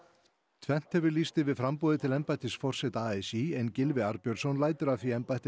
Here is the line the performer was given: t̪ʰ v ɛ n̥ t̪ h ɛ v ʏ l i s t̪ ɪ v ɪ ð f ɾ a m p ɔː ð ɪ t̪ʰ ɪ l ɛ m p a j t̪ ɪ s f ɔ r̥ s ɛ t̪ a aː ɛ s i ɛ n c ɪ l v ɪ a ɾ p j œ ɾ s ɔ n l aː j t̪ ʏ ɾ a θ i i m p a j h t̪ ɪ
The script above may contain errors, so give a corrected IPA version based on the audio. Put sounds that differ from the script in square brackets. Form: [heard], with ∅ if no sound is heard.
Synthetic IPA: t̪ʰ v ɛ n̥ t̪ h ɛ v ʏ l i s t̪ ɪ v ɪ ð f ɾ a m p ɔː ð ɪ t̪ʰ ɪ l ɛ m p a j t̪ ɪ s f ɔ r̥ s ɛ t̪ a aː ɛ s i ɛ n c ɪ l v ɪ a ɾ p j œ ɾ s ɔ n l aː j t̪ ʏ ɾ a θ i [ɛ] m p a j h t̪ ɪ